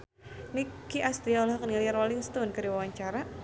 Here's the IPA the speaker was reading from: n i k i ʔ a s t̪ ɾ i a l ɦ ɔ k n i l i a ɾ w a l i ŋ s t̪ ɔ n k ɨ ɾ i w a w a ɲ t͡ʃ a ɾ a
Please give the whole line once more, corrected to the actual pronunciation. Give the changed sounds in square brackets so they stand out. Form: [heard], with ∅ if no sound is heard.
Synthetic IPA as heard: n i k i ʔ a s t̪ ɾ i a l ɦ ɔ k n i l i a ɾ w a l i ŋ s t̪ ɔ n k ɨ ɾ i w a w a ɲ t͡ʃ a ɾ a